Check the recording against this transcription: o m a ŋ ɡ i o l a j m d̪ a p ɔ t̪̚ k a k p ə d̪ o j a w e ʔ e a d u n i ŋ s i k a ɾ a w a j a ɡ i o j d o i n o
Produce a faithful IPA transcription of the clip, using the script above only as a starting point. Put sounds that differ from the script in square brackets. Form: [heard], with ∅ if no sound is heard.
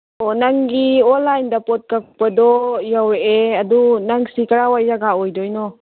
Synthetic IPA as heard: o [n] a ŋ ɡ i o l a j [n] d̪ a p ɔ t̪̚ k a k p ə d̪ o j a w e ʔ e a d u n [a] ŋ s i k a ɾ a w a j a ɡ [a] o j d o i n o